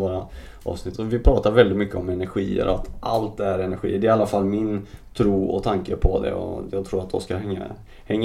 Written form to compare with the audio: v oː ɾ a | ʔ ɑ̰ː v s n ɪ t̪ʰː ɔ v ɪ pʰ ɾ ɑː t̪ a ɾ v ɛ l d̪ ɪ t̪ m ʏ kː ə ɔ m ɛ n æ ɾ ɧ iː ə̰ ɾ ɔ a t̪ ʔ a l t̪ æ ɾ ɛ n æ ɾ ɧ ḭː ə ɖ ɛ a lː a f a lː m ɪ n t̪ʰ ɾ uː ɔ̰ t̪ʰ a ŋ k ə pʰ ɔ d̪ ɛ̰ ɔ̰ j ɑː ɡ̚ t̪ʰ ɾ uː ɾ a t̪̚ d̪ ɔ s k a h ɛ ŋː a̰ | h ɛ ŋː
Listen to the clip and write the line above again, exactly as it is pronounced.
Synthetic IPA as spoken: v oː ɾ a | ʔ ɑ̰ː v s n ɪ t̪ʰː ɔ v ɪ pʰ ɾ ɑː t̪ a ɾ v ɛ l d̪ ɪ t̪ m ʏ kː ə ɔ m ɛ n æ ɾ ɧ iː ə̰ ɾ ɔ a t̪ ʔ a l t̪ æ ɾ ɛ n æ ɾ ɧ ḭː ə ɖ ɛ a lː a f a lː m ɪ n t̪ʰ ɾ uː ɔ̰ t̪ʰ a ŋ k ə pʰ ɔ d̪ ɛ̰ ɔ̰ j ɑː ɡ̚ t̪ʰ ɾ uː ɾ a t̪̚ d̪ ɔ s k a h ɛ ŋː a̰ | h ɛ ŋː